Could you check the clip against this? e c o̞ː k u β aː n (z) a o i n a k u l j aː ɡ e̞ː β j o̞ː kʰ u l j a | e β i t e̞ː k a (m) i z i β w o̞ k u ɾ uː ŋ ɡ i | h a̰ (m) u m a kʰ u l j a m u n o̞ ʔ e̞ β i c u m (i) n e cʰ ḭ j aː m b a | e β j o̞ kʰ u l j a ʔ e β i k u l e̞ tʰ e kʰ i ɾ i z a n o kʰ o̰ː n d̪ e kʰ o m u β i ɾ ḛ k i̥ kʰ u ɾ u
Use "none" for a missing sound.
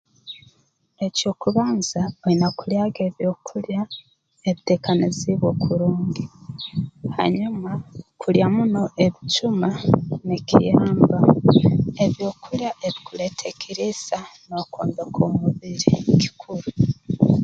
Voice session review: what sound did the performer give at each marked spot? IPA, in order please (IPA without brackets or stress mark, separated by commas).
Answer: z, n, ɲ, a